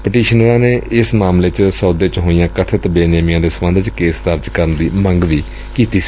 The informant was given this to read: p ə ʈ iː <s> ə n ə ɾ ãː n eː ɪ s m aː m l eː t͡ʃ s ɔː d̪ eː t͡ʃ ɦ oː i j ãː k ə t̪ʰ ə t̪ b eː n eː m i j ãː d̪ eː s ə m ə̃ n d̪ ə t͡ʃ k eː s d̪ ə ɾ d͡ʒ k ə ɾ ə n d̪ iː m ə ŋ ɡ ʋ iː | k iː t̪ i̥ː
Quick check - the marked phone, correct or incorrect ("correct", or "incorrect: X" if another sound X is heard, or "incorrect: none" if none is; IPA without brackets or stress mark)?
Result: incorrect: ʃ